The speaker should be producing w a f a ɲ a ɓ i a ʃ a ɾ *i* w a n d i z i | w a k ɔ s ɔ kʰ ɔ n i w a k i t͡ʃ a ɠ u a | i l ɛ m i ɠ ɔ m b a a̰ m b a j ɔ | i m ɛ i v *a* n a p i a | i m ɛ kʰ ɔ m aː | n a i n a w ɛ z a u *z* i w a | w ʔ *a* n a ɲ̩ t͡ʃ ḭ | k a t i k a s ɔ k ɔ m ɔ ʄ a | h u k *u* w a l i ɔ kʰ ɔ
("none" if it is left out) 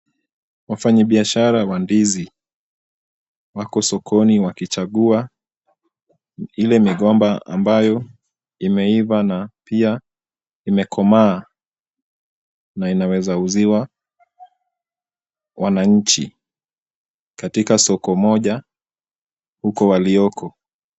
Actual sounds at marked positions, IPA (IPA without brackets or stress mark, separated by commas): a, a, z, a, ɔ